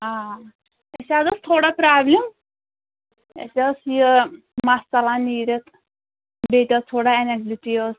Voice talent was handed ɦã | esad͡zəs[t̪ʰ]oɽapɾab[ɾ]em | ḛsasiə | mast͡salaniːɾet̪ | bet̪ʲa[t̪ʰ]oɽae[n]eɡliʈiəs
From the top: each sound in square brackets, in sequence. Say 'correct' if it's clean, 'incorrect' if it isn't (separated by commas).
correct, incorrect, correct, correct